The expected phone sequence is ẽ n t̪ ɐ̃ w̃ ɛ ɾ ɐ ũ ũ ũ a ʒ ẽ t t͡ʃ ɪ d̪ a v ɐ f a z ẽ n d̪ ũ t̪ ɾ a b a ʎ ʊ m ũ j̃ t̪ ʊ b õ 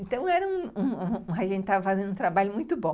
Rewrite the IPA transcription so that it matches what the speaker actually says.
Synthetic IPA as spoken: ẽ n t̪ ɐ̃ w̃ ɛ ɾ ɐ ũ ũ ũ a ʒ ẽ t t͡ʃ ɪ t̪ a v ɐ f a z ẽ n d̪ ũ t̪ ɾ a b a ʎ ʊ m ũ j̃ t̪ ʊ b õ